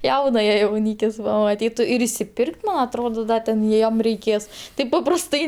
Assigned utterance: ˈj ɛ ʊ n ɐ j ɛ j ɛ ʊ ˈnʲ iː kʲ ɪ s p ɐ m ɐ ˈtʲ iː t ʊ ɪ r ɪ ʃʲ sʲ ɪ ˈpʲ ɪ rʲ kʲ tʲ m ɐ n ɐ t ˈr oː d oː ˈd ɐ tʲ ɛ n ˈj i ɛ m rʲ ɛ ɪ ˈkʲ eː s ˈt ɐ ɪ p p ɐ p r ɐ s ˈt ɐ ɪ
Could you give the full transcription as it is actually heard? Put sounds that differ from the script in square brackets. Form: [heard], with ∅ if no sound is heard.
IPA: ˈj ɛ ʊ n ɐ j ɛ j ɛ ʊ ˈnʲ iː kʲ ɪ s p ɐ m ɐ ˈtʲ iː t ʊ ɪ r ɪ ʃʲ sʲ ɪ ˈpʲ ɪ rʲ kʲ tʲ m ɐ n ɐ t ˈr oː d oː ˈd ɐ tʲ ɛ n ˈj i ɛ m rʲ ɛ ɪ ˈkʲ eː s ˈt ɐ ɪ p p ɐ p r ɐ s ˈt ɐ ɪ